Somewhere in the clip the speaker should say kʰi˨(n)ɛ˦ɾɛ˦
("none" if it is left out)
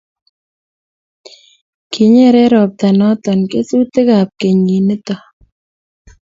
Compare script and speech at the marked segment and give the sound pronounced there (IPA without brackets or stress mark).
ɲ